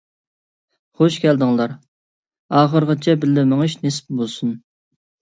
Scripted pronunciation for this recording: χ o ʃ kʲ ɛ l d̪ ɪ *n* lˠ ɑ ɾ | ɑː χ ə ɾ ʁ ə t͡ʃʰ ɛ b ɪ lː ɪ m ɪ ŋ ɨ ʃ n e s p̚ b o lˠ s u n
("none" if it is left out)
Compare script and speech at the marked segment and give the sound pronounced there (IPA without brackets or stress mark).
ŋ